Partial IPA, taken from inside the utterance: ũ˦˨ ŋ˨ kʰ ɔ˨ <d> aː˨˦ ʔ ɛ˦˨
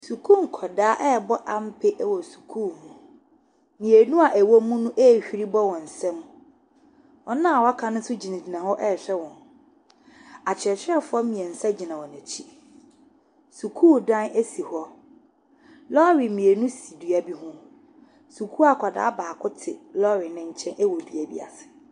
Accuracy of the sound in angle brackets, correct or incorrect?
correct